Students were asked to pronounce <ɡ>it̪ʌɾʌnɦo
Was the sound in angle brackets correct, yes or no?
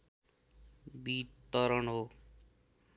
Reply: no